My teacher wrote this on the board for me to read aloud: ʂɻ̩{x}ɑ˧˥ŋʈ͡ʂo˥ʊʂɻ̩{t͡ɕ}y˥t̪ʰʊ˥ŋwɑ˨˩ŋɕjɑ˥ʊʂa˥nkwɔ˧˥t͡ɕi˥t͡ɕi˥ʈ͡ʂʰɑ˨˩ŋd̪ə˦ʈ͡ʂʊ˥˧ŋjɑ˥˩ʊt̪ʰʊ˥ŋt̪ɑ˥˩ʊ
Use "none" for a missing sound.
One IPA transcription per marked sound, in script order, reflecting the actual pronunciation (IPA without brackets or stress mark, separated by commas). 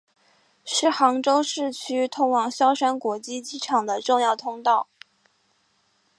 x, t͡ɕʰ